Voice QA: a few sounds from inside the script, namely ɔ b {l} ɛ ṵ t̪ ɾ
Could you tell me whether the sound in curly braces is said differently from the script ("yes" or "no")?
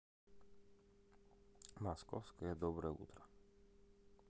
yes